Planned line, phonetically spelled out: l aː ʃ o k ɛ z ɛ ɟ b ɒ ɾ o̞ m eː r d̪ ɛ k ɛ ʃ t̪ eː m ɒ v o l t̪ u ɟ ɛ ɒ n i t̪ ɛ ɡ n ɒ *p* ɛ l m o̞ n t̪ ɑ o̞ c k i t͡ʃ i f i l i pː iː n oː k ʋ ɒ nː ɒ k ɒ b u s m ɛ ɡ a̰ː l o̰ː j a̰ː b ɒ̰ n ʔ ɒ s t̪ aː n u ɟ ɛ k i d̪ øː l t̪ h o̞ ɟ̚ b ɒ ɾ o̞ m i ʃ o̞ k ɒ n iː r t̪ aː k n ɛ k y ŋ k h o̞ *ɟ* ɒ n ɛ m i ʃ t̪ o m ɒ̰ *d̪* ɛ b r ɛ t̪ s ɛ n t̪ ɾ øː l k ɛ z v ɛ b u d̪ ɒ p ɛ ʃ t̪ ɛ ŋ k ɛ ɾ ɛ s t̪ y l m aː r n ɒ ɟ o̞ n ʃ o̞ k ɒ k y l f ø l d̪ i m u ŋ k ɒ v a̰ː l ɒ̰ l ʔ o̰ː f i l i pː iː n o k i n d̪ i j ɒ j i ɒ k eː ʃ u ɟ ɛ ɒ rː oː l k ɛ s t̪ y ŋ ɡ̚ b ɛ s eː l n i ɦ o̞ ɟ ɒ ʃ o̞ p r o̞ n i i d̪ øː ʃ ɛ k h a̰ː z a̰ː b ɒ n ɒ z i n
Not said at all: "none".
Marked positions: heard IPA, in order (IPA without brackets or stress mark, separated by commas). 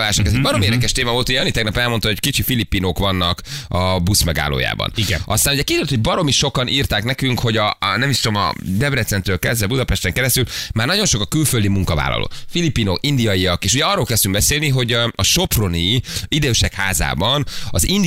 p, ɟ, d̪